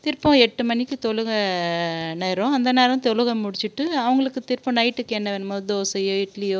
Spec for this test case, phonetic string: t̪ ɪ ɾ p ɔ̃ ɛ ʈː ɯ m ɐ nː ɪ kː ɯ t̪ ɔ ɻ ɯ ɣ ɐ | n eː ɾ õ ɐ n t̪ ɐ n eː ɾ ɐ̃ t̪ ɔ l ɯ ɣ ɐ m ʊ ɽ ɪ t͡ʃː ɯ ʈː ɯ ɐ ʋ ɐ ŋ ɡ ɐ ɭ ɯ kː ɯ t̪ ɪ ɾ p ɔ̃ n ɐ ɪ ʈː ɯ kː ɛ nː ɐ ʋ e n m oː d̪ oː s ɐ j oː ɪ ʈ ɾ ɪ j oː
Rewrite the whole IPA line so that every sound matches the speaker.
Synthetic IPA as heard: t̪ ɪ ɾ p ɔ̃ ɛ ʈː ɯ m ɐ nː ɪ kː ɯ t̪ ɔ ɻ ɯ ɣ ɐ | n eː ɾ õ ɐ n d̪ ɐ n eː ɾ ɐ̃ t̪ ɔ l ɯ ɣ ɐ m ʊ ɽ ɪ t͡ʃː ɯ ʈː ɯ ɐ ʋ ɐ ŋ ɡ ɐ ɭ ɯ kː ɯ t̪ ɪ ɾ p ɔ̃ n ɐ ɪ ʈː ɯ kː ɛ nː ɐ ʋ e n m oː d̪ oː s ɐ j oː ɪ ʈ l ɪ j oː